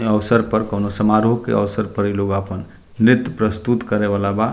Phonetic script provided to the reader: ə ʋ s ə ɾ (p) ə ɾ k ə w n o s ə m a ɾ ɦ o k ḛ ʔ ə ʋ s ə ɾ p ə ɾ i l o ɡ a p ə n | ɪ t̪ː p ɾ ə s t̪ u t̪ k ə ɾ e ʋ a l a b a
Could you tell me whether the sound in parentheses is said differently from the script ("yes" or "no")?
no